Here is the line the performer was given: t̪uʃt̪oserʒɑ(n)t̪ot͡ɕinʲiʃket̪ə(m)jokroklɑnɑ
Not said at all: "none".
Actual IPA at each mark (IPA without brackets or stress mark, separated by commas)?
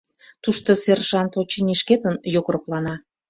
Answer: n, n